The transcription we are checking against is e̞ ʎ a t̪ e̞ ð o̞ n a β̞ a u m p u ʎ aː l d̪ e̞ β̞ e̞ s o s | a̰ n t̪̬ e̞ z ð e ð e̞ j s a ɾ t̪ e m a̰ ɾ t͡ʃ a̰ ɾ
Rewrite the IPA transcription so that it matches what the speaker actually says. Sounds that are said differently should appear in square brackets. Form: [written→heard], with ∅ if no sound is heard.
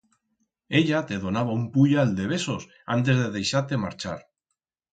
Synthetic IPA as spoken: e̞ ʎ a t̪ e̞ ð o̞ n a β̞ a u m p u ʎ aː l d̪ e̞ β̞ e̞ s o s | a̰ n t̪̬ e̞ z ð e ð e̞ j [s→ʃ] a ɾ t̪ e m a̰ ɾ t͡ʃ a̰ ɾ